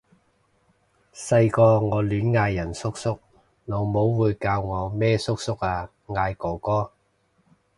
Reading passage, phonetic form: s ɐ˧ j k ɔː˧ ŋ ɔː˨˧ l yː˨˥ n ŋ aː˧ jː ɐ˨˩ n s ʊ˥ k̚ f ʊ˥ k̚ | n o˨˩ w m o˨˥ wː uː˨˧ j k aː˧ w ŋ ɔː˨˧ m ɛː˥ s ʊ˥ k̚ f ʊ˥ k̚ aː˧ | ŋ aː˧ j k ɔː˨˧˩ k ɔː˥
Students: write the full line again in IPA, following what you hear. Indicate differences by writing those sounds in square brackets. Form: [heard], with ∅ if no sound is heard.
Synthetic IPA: s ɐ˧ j k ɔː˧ ŋ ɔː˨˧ l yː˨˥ n ŋ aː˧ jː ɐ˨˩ n s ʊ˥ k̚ [s] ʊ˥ k̚ | n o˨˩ w m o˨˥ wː uː˨˧ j k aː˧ w ŋ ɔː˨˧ m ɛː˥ s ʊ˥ k̚ [s] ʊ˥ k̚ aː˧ | ŋ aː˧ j k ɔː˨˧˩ k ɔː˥

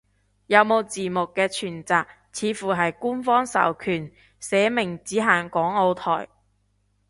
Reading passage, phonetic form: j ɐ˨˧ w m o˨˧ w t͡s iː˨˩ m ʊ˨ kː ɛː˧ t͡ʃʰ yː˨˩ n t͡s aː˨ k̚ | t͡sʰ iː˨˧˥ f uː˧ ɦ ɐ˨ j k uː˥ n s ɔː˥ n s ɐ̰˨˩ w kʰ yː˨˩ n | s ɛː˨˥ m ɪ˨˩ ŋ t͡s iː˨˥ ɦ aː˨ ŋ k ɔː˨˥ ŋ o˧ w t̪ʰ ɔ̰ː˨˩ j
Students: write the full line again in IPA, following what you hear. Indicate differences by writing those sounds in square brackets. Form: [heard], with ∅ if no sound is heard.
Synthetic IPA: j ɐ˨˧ w m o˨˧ w t͡s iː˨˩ m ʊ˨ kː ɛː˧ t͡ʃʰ yː˨˩ n t͡s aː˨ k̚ | t͡sʰ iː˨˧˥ f [uː˨˩] ɦ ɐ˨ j k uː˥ n [f] ɔː˥ [ŋ] s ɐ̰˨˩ w kʰ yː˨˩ n | s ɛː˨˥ m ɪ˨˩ ŋ t͡s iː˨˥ ɦ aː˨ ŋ k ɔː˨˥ ŋ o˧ w t̪ʰ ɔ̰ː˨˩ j

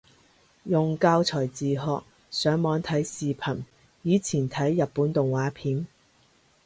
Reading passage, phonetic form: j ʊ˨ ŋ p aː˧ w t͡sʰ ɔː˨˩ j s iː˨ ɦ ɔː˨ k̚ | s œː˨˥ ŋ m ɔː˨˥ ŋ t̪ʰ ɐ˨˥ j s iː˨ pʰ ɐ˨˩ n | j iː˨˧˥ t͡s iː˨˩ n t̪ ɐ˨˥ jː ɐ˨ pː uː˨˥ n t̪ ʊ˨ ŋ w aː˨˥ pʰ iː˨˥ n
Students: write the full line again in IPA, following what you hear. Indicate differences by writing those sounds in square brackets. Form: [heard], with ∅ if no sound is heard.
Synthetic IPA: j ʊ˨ ŋ [k] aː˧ w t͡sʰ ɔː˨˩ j [t͡s] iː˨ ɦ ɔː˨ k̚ | s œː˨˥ ŋ m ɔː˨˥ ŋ t̪ʰ ɐ˨˥ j s iː˨ pʰ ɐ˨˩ n | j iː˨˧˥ [t͡sʰ] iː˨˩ n [t̪ʰ] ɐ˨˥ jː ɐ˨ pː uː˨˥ n t̪ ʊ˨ ŋ w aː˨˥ pʰ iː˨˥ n

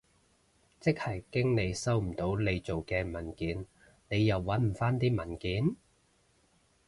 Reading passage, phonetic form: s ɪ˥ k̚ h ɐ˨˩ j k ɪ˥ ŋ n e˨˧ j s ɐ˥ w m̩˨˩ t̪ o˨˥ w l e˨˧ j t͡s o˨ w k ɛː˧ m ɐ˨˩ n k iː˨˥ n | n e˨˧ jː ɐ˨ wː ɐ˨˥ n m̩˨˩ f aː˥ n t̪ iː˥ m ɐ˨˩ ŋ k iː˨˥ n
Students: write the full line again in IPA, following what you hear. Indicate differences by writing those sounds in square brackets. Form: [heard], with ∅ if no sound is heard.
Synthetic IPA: [t͡s] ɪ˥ k̚ h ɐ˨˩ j k ɪ˥ ŋ n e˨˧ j s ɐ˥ w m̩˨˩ t̪ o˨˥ w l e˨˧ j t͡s o˨ w k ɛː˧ m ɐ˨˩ n k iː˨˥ n | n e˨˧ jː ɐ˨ wː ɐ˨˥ n m̩˨˩ f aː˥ n t̪ iː˥ m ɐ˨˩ [n] k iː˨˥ n

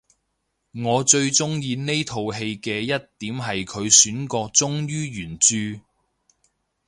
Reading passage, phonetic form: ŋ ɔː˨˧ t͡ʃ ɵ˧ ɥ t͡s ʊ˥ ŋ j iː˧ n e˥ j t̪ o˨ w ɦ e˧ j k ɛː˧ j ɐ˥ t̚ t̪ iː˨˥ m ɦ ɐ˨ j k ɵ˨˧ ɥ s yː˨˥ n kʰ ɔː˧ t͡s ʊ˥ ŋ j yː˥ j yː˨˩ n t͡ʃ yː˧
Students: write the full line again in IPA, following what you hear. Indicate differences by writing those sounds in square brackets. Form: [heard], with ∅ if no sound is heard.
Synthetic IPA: ŋ ɔː˨˧ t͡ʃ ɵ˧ ɥ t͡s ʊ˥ ŋ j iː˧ n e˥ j [t̪ʰ] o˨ w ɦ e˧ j k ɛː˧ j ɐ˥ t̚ t̪ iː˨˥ m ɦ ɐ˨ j [kʰ] ɵ˨˧ ɥ s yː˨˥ n [k] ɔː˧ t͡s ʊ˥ ŋ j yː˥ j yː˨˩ n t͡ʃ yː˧

